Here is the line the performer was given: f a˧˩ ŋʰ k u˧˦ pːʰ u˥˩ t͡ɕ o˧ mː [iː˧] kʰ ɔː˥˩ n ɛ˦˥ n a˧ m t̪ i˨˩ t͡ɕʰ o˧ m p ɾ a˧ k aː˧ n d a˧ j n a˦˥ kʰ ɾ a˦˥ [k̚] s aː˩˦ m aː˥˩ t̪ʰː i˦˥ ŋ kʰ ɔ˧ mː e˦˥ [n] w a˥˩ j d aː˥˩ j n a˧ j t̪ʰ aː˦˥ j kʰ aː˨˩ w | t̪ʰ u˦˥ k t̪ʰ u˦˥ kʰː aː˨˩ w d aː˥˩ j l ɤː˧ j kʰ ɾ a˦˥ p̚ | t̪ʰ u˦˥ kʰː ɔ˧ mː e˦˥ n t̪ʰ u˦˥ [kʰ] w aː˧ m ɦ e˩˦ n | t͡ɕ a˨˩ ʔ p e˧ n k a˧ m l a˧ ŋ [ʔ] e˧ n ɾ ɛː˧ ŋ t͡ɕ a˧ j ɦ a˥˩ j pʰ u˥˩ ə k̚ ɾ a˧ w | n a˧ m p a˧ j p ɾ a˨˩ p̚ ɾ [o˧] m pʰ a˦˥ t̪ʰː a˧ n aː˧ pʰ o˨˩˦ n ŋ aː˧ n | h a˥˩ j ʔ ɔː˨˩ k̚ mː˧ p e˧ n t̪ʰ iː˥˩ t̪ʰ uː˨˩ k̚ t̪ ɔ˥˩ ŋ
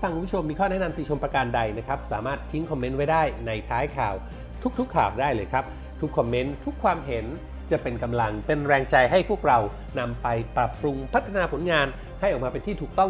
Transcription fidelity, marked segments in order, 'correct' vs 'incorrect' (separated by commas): correct, incorrect, correct, correct, incorrect, incorrect